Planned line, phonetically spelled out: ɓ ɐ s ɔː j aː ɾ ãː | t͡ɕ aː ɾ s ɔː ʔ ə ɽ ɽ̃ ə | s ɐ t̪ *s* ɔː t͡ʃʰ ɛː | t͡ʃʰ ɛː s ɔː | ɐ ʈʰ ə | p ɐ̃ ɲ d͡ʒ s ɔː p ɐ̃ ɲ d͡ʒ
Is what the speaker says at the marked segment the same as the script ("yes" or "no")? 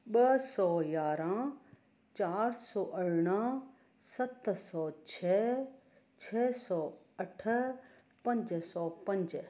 yes